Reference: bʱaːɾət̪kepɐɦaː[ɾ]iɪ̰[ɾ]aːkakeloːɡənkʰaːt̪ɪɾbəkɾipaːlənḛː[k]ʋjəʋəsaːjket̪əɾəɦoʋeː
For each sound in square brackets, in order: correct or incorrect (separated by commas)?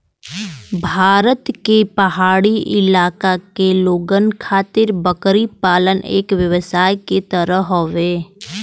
incorrect, incorrect, correct